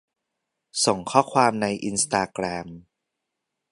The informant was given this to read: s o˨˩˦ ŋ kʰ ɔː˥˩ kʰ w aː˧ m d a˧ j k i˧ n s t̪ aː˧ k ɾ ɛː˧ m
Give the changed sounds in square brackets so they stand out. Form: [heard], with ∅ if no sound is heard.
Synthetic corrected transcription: s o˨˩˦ ŋ kʰ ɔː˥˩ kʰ w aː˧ m [n] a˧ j [ʔ] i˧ n s t̪ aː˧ k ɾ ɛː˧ m